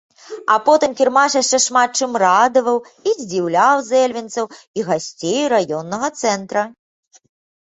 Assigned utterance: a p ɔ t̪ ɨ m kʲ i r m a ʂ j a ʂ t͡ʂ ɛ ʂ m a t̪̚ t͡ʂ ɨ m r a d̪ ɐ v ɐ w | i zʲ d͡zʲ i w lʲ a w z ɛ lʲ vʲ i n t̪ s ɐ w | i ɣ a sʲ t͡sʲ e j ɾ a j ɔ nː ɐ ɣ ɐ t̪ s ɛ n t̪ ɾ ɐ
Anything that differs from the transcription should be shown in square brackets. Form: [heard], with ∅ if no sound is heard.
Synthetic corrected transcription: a p ɔ t̪ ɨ m kʲ i r m a ʂ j a ʂ t͡ʂ ɛ ʂ m a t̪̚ t͡ʂ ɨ m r a d̪ ɐ v ɐ w | i zʲ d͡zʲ i w lʲ a w z ɛ lʲ vʲ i n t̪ s ɐ w | i ɣ a sʲ t͡sʲ e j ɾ a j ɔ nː ɐ ɣ ɐ t̪ s ɛ n t̪ ɾ ɐ

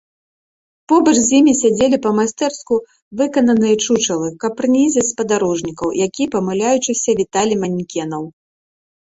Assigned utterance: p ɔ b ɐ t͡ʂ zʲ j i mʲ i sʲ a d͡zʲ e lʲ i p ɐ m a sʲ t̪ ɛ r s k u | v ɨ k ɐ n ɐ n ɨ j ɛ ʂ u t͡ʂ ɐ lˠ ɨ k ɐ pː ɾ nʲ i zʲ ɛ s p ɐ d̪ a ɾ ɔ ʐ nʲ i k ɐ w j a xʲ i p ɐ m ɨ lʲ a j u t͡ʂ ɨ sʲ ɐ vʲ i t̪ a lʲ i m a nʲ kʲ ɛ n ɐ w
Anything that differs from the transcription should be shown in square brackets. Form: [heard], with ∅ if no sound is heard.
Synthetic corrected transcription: p ɔ b ɐ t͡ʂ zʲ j i mʲ i sʲ a d͡zʲ e lʲ i p ɐ m a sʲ t̪ ɛ r s k u | v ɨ k ɐ n ɐ n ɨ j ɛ [t͡ʂ] u t͡ʂ ɐ lˠ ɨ k ɐ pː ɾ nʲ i zʲ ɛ s p ɐ d̪ a ɾ ɔ ʐ nʲ i k ɐ w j a [kʲ] i p ɐ m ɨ lʲ a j u t͡ʂ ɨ sʲ ɐ vʲ i t̪ a lʲ i m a nʲ kʲ ɛ n ɐ w

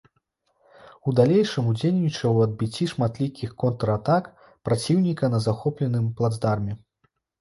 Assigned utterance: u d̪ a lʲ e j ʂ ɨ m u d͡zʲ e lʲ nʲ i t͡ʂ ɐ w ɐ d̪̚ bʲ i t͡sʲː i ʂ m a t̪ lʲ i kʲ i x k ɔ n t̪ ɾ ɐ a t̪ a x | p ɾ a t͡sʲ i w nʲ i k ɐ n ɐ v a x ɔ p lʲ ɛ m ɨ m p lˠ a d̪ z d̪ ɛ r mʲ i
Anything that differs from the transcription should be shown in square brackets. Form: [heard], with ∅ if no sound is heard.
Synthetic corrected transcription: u d̪ a lʲ e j ʂ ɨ m u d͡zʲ e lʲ nʲ i t͡ʂ ɐ w ɐ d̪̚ bʲ i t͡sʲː i ʂ m a t̪ lʲ i kʲ i x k ɔ n t̪ ɾ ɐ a t̪ a [k] | p ɾ a t͡sʲ i w nʲ i k ɐ n ɐ [z] a x ɔ p lʲ ɛ [n] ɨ m p lˠ a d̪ z d̪ [a] r mʲ [ɛ]

